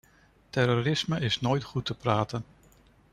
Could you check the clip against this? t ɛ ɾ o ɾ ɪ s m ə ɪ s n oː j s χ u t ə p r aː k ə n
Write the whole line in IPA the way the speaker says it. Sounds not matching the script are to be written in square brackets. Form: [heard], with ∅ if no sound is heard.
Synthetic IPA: t ɛ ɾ o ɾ ɪ s m ə ɪ s n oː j [t] χ u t ə p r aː [t] ə n